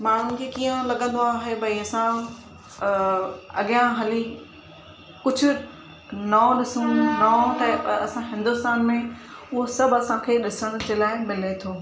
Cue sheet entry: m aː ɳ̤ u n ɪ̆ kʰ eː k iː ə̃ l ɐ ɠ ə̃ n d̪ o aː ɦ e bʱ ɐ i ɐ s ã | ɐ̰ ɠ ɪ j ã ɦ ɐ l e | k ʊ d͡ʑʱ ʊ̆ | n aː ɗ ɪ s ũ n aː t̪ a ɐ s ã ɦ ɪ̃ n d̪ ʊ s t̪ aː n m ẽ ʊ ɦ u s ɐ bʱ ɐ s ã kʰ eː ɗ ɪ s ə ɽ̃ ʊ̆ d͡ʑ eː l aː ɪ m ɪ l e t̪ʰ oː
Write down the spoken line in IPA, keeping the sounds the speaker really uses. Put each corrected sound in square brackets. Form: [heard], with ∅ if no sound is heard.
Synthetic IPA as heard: m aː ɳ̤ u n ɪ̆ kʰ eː k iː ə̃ l ɐ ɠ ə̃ n d̪ o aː ɦ e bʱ ɐ i ɐ s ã | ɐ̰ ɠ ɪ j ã ɦ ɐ l [i] | k ʊ d͡ʑʱ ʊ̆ | n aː ɗ ɪ s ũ n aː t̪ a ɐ s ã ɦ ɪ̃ n d̪ ʊ s t̪ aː n m ẽ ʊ ɦ [o] s ɐ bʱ ɐ s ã kʰ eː ɗ ɪ s ə ɽ̃ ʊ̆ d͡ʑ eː l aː ɪ m ɪ l e t̪ʰ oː